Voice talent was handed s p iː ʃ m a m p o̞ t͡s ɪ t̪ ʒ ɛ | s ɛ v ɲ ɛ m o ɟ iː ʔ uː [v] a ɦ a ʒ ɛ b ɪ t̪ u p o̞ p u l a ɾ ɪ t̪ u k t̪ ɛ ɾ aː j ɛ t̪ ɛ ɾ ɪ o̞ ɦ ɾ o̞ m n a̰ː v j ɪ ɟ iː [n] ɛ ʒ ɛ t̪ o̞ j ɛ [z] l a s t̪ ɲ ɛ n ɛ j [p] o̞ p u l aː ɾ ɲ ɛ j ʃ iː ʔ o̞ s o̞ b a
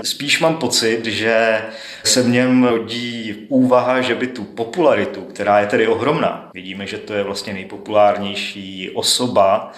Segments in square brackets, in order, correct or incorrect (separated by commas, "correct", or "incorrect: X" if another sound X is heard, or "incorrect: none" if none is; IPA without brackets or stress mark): correct, incorrect: m, incorrect: v, correct